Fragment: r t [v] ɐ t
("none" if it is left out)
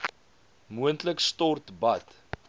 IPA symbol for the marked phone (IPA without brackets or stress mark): b